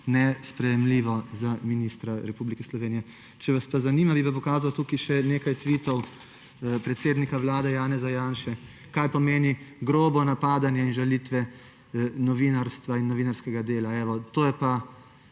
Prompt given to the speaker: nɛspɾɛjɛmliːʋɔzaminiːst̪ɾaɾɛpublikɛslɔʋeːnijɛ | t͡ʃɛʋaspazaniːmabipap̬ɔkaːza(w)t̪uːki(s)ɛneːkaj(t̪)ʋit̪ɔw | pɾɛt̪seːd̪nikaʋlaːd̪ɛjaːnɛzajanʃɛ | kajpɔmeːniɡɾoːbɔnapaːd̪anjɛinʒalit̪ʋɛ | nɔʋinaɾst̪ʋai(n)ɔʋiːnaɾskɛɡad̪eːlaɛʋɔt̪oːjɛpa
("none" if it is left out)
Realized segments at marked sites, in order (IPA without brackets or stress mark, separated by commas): w, ʃ, t̪, nː